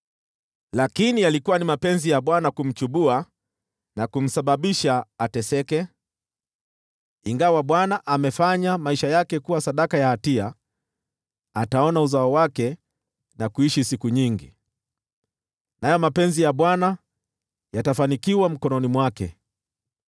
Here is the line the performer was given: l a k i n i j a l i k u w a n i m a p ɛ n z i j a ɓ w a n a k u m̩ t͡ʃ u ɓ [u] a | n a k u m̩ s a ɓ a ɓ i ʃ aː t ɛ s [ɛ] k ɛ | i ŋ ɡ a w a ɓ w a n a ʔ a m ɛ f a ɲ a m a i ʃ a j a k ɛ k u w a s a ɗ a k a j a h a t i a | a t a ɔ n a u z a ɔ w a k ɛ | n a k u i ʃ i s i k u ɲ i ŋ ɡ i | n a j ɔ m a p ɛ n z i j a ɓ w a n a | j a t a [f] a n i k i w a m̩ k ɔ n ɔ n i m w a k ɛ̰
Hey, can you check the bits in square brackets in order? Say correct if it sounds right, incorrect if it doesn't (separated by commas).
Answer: correct, correct, correct